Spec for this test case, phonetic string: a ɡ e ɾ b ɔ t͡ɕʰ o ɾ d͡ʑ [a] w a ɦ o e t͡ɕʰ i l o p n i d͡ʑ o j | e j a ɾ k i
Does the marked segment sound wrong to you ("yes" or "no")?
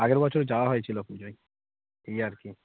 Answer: no